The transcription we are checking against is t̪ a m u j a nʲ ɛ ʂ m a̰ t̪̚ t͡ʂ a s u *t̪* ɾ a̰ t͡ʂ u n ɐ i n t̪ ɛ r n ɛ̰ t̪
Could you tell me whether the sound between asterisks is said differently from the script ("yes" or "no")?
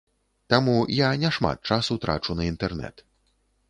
no